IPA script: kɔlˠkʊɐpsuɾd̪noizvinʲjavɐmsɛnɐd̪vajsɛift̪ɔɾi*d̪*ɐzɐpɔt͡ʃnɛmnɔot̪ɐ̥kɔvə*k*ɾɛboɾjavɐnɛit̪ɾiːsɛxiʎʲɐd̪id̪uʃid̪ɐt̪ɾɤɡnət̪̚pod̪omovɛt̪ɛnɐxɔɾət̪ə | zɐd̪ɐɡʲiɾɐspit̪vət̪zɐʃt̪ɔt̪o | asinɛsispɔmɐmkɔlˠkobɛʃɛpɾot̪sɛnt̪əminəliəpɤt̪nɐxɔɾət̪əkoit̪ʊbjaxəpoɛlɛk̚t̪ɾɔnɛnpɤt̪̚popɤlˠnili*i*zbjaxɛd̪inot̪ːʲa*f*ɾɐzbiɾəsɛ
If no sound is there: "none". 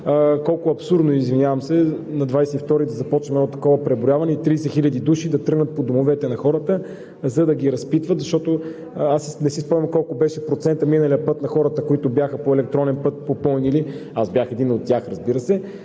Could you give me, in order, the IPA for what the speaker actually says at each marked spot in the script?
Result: d̪, p, a, x

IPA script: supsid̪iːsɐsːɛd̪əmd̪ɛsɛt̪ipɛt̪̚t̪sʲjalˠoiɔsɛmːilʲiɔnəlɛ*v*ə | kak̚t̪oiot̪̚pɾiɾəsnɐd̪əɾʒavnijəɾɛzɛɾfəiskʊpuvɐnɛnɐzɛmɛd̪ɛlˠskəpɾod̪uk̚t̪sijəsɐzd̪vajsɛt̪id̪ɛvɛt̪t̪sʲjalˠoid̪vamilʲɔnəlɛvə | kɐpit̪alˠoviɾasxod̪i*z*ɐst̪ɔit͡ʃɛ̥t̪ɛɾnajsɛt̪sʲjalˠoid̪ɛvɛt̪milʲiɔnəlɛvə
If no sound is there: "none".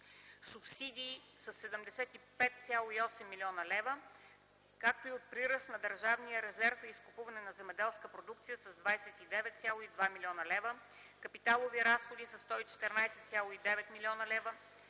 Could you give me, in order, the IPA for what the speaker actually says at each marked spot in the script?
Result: v, s

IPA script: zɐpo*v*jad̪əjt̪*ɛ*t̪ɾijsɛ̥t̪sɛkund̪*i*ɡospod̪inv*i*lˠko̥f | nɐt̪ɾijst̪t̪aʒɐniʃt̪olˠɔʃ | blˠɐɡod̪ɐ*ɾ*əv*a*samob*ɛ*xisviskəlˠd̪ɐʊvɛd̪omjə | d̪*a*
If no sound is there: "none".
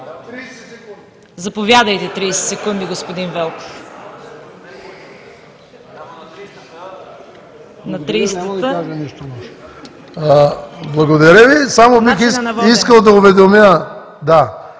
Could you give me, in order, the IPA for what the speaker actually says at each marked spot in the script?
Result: v, ɛ, i, ɛ, ɾ, i, i, a

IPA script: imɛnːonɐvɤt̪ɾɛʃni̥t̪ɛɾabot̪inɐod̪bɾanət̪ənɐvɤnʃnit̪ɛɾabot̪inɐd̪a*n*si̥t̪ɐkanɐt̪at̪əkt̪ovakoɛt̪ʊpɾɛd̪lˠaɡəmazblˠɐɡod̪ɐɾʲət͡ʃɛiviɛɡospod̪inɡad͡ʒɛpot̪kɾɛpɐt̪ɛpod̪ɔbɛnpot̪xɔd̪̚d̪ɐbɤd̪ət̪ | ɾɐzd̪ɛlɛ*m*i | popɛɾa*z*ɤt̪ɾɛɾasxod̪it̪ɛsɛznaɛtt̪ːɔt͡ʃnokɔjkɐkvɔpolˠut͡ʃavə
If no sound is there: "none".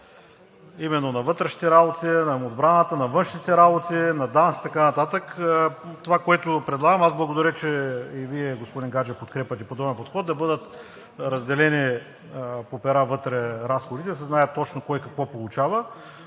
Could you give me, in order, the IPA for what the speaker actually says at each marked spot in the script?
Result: n, n, v

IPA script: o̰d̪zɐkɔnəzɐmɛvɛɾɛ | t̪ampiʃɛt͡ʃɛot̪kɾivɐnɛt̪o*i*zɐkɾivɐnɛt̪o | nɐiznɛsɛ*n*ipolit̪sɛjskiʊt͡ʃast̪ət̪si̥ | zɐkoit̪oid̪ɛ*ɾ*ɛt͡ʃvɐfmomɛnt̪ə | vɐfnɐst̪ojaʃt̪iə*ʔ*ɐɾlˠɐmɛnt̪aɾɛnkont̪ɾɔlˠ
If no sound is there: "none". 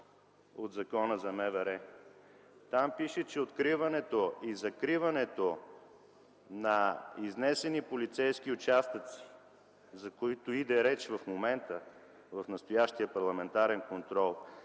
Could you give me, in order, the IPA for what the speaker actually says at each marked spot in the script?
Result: i, n, ɾ, p

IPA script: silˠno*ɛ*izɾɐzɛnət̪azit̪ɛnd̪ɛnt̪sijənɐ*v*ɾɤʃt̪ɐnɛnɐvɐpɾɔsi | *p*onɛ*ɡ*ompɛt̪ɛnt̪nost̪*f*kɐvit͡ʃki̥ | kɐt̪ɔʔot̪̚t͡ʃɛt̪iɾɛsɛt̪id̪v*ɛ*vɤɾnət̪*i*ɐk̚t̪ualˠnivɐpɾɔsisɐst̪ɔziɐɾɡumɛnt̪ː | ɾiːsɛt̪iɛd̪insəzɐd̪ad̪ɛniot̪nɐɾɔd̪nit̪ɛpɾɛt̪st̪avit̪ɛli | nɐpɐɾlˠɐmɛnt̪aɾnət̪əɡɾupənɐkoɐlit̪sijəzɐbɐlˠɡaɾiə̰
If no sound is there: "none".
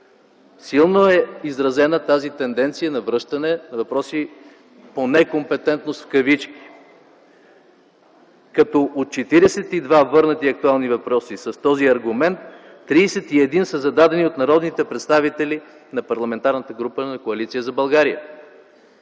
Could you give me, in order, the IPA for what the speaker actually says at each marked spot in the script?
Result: ɛ, v, p, k, f, a, i

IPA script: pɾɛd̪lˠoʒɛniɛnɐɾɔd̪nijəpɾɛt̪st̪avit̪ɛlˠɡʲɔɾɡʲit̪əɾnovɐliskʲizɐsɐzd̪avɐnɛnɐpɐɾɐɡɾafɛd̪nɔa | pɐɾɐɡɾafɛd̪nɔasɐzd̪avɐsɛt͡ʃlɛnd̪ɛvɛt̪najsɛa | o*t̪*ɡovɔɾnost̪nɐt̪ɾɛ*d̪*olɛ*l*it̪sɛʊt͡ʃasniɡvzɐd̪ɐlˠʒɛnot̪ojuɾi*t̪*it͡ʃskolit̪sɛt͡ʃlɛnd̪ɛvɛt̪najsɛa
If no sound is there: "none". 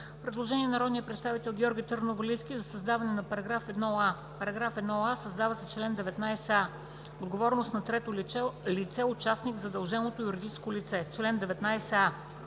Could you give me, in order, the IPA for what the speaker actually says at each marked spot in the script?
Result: d̪, t̪, l, d̪

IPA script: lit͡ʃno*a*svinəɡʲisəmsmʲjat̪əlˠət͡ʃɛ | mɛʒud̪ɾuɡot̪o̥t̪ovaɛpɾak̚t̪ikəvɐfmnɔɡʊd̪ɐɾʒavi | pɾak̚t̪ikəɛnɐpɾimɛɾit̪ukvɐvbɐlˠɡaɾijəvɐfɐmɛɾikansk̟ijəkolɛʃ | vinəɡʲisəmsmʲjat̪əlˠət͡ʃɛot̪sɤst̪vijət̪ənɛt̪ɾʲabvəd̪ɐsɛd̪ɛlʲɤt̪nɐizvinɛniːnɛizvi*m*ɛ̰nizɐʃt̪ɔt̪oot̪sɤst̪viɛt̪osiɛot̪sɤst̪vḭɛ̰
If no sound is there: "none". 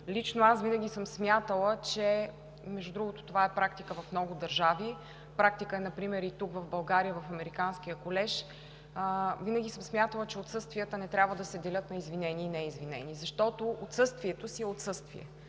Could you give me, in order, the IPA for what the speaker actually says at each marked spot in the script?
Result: a, n

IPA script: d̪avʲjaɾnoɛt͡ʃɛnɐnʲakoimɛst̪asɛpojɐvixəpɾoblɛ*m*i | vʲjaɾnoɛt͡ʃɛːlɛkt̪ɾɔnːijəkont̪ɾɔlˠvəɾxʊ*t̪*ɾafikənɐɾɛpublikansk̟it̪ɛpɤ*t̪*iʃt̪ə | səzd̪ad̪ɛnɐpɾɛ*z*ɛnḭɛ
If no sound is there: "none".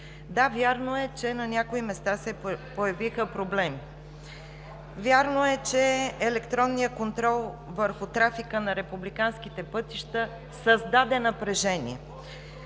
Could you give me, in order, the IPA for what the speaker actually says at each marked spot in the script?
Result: m, t̪, t̪, ʒ

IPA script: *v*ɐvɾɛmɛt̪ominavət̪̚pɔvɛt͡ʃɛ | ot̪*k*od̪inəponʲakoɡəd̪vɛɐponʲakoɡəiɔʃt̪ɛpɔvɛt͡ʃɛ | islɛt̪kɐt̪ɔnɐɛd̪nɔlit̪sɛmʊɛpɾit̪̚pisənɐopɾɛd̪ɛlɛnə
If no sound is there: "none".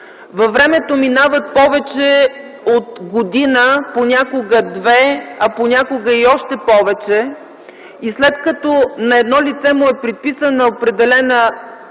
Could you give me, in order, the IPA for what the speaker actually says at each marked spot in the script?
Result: v, ɡ

